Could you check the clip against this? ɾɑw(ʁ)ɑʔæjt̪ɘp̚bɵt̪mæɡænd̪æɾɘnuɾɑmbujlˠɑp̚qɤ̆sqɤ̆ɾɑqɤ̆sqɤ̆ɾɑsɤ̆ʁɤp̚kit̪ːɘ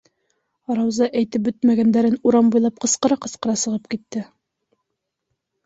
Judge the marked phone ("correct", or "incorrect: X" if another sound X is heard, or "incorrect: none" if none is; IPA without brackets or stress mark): incorrect: z